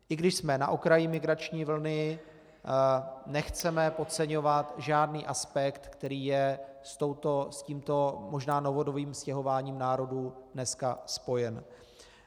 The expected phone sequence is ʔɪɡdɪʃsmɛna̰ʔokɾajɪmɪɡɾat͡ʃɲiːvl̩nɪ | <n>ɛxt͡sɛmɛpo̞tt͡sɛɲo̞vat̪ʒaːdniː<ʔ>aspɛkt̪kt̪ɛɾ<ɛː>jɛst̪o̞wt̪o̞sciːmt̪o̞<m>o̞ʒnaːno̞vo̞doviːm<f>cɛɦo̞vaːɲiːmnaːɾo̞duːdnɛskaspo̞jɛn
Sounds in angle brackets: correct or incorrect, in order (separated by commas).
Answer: correct, correct, incorrect, correct, incorrect